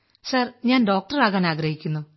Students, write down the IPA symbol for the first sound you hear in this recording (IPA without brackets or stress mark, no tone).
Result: s